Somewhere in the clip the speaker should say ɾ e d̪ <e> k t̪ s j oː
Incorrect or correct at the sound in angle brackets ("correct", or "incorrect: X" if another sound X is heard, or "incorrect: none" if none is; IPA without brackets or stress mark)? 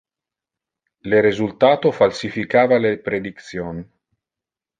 incorrect: i